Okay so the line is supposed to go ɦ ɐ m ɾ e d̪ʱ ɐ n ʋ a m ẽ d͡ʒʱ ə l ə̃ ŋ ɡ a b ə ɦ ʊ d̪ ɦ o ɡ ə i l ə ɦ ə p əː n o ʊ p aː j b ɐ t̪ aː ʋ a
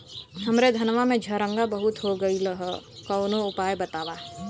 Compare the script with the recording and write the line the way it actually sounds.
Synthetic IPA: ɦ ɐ m ɾ e d̪ʱ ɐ n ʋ a m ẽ d͡ʒʱ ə ɾ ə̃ ŋ ɡ a b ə ɦ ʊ t̪ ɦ o ɡ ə i l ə ɦ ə k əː n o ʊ p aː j b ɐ t̪ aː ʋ a